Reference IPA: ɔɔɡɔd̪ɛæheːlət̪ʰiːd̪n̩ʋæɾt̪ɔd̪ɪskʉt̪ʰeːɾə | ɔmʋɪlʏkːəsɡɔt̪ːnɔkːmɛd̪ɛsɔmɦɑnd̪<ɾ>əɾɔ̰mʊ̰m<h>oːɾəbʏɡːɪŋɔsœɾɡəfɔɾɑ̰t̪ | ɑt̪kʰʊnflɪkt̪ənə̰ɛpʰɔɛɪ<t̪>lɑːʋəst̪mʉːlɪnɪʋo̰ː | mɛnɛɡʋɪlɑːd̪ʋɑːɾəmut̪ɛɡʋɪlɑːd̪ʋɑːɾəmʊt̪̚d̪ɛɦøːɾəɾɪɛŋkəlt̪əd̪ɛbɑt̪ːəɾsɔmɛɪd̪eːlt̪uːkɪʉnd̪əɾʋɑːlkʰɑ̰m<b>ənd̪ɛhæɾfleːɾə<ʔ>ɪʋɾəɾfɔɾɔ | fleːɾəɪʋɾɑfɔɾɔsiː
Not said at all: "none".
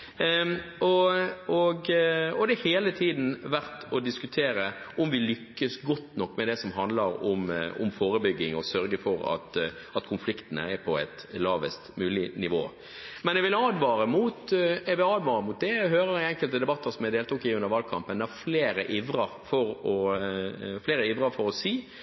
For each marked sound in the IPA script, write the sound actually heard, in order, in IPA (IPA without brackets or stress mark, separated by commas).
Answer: l, f, t̪, p, ʔ